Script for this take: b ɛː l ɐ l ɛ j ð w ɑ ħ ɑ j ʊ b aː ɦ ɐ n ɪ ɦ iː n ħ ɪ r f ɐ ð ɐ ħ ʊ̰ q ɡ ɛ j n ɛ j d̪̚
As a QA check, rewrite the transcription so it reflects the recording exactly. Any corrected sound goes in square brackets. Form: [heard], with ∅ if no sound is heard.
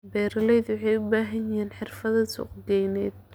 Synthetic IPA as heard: b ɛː [ɾ] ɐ l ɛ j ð w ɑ ħ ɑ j ʊ b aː ɦ ɐ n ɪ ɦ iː n ħ ɪ r f ɐ ð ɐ [s] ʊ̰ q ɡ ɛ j n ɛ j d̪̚